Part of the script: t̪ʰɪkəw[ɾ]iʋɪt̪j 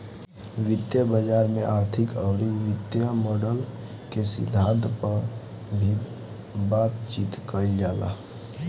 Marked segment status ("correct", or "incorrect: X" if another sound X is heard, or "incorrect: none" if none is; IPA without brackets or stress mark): correct